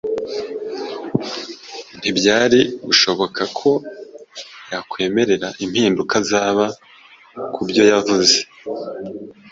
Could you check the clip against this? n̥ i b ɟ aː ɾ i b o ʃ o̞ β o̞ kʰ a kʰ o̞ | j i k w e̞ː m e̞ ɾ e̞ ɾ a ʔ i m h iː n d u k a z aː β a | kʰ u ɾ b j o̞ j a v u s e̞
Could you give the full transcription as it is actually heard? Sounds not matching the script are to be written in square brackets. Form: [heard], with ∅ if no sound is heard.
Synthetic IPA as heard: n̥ i b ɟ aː ɾ i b [u] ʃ o̞ β o̞ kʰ a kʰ o̞ | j [a] k w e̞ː m e̞ ɾ e̞ ɾ a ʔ i m h iː n d u k a z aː β a | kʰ u [∅] b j o̞ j a v u [z] e̞